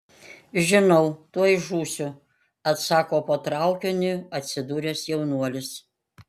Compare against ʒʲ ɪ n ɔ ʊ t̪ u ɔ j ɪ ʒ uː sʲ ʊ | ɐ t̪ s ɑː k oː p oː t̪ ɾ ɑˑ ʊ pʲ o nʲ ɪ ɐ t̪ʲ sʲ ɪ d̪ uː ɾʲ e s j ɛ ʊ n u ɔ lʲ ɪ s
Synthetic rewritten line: ʒʲ ɪ n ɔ ʊ t̪ u ɔ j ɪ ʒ uː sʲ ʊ | ɐ t̪ s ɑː k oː p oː t̪ ɾ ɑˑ ʊ kʲ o nʲ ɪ ɐ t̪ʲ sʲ ɪ d̪ uː ɾʲ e s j ɛ ʊ n u ɔ lʲ ɪ s